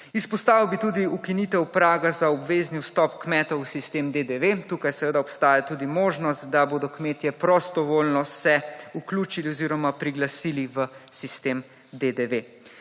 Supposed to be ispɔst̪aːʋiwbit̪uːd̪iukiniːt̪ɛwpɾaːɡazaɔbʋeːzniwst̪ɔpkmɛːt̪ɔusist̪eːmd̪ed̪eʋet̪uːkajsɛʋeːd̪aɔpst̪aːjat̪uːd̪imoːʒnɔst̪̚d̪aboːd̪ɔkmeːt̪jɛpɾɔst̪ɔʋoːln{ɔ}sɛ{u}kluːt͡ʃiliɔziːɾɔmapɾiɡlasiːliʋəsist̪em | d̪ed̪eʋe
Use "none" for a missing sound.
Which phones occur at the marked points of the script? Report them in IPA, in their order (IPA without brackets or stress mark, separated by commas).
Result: ɔ, u